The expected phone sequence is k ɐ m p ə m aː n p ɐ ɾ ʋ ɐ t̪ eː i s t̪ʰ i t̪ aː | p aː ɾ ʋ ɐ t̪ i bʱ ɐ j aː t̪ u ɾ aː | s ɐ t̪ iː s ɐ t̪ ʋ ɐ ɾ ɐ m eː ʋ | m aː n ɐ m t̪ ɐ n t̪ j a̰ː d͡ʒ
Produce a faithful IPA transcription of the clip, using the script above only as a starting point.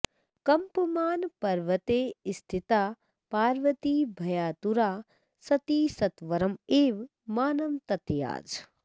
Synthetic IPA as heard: k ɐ m p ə m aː n p ɐ ɾ ʋ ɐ t̪ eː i s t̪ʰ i t̪ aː | p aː ɾ ʋ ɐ t̪ i bʱ ɐ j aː t̪ u ɾ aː | s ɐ t̪ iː s ɐ t̪ ʋ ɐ ɾ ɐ m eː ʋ | m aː n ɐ m t̪ ɐ t̪ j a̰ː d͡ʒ